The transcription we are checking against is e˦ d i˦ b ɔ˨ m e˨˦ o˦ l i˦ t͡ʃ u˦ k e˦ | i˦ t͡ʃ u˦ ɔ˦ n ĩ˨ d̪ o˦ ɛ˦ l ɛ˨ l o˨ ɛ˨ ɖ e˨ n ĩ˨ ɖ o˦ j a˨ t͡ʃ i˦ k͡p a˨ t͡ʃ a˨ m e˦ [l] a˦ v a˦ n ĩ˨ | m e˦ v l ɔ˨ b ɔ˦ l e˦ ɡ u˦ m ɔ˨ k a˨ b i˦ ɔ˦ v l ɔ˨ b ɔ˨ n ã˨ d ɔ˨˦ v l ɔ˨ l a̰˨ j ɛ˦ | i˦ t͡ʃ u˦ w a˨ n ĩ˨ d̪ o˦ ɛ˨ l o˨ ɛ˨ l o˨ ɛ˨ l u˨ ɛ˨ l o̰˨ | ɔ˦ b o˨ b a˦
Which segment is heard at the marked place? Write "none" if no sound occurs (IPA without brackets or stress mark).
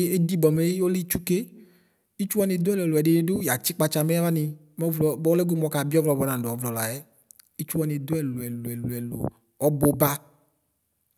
none